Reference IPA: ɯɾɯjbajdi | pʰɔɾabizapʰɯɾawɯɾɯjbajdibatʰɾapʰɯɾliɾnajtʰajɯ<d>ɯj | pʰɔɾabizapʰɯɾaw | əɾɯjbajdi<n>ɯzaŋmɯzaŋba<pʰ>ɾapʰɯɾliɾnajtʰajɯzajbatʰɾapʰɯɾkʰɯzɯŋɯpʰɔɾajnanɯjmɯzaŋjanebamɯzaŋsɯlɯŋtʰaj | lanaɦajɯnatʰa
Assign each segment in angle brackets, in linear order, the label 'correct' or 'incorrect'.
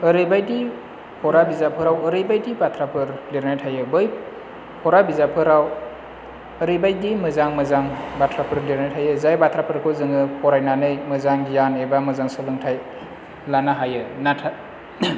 incorrect, incorrect, incorrect

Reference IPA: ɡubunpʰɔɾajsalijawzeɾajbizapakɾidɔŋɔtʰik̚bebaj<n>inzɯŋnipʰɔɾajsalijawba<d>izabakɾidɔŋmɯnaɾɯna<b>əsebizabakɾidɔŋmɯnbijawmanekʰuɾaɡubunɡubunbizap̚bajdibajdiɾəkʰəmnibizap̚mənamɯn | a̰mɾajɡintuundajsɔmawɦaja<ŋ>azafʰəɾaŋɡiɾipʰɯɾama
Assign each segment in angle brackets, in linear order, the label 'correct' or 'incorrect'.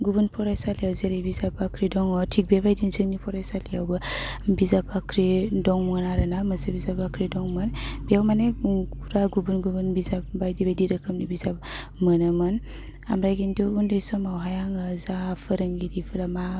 incorrect, incorrect, incorrect, correct

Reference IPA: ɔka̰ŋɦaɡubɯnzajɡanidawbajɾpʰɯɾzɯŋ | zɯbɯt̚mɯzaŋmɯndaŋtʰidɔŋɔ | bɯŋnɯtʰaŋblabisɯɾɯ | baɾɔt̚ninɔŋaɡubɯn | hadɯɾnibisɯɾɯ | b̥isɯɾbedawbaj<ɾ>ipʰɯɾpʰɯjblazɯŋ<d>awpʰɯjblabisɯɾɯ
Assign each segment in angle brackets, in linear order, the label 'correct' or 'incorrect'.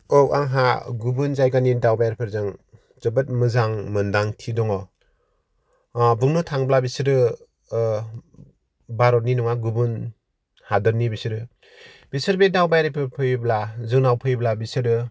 correct, incorrect

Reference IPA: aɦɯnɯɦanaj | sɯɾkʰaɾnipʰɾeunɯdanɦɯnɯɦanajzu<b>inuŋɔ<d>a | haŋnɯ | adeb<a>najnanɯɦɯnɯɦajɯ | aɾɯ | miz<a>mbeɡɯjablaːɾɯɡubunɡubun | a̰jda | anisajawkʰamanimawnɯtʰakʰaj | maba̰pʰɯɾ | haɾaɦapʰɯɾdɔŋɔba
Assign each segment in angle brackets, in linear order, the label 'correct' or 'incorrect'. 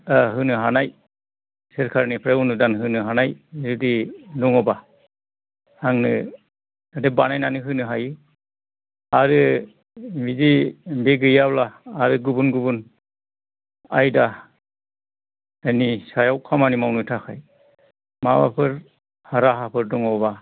incorrect, incorrect, correct, incorrect

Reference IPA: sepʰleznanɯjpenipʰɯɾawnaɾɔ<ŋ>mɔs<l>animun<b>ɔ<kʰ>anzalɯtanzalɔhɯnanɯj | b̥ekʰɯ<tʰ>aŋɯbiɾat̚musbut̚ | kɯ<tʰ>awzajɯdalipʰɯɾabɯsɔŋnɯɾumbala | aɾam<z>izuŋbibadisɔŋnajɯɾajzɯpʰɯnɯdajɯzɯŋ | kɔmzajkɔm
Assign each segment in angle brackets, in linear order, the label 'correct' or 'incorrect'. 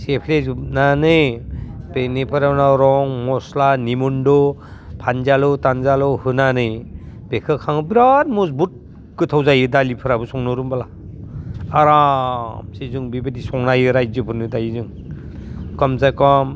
correct, correct, incorrect, incorrect, incorrect, correct, incorrect

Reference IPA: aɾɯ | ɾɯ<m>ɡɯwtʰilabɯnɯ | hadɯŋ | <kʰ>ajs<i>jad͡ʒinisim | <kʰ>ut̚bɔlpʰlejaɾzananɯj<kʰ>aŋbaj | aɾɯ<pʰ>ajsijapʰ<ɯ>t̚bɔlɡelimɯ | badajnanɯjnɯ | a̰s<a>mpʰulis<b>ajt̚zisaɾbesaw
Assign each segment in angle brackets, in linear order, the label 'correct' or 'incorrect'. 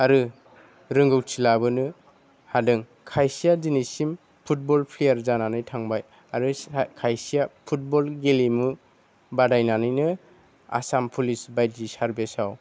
incorrect, correct, correct, incorrect, incorrect, incorrect, incorrect, correct, correct

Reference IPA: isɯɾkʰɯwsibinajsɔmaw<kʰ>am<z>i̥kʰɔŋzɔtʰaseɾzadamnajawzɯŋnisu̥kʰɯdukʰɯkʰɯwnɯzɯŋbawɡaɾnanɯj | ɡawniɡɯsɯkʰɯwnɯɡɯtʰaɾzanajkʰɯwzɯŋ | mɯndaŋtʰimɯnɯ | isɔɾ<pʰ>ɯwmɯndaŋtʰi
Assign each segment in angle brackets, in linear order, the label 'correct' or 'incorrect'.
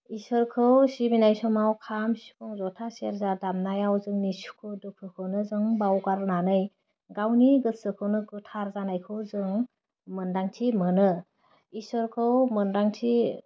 correct, incorrect, incorrect

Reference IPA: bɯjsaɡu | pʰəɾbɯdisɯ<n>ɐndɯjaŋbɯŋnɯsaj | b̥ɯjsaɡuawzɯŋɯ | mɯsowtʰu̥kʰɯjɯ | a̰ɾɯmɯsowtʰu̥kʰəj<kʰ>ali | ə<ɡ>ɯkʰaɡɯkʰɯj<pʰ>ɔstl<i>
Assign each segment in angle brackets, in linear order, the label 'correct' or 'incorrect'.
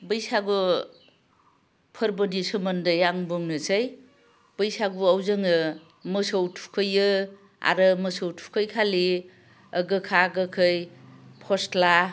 incorrect, correct, correct, correct, incorrect

